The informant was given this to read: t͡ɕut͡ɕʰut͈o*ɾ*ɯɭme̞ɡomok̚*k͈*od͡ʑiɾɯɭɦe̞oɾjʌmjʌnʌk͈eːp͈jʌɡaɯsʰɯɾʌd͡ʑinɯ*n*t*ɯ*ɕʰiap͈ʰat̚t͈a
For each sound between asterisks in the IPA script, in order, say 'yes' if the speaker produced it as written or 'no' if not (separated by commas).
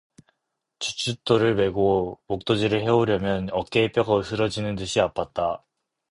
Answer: yes, no, yes, yes